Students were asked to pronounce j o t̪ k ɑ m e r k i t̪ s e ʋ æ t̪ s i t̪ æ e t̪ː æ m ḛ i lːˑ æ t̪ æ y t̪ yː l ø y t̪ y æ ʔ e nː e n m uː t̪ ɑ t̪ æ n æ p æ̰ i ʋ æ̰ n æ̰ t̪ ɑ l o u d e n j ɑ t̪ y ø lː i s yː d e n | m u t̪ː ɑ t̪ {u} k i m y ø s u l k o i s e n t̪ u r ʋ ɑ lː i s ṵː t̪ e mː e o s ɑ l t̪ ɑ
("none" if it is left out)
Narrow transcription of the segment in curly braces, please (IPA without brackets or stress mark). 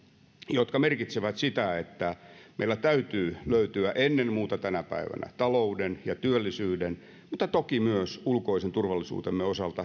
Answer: o